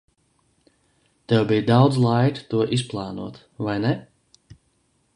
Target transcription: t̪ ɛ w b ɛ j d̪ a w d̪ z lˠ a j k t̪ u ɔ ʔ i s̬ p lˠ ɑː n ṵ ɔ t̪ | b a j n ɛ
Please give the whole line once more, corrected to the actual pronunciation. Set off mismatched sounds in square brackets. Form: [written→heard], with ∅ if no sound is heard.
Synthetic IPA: t̪ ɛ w b [ɛ→i] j d̪ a w d̪ z lˠ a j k t̪ u ɔ ʔ i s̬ p lˠ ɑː n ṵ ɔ t̪ | [b→v] a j n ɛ

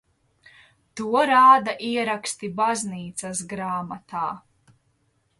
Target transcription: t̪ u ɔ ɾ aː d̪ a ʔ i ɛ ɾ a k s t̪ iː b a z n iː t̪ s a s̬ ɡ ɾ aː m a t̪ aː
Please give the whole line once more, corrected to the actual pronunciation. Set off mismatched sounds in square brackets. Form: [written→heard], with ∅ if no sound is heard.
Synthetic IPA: t̪ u ɔ ɾ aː d̪ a ʔ i ɛ ɾ a k s t̪ [iː→i] b a z n iː t̪ s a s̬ ɡ ɾ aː m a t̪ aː

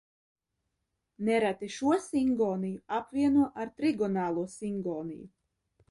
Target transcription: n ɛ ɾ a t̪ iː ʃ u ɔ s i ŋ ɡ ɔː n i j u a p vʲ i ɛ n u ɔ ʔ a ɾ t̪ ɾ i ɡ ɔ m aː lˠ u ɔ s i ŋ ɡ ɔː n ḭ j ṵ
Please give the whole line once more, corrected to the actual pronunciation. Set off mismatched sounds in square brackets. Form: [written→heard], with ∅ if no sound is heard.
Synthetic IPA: n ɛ ɾ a t̪ [iː→i] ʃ u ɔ s i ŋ ɡ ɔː n i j u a p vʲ i ɛ n u ɔ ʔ a ɾ t̪ ɾ i ɡ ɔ [m→n] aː lˠ u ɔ s i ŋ ɡ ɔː n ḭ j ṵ

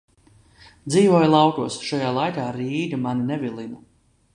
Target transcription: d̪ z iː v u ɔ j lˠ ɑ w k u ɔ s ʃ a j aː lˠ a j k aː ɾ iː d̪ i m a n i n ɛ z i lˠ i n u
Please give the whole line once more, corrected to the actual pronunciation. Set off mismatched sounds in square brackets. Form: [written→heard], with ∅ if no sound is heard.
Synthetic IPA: d̪ z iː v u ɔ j lˠ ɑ w k u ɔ s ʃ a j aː lˠ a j k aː ɾ iː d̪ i m a n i n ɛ [z→v] i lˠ i n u

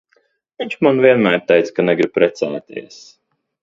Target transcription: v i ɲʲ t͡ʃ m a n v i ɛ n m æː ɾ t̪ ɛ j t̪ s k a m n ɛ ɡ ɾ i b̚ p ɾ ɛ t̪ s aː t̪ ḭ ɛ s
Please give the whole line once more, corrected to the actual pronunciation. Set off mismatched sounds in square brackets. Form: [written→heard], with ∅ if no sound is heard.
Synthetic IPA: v i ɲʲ t͡ʃ m a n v i ɛ n m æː ɾ t̪ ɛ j t̪ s k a [m→∅] n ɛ ɡ ɾ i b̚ p ɾ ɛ t̪ s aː t̪ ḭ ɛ s

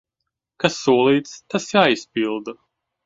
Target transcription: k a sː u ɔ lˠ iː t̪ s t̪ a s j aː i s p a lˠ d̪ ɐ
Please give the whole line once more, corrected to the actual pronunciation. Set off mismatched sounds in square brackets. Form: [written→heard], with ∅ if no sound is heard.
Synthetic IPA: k a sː u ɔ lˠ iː t̪ s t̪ a s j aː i s p [a→i] lˠ d̪ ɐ

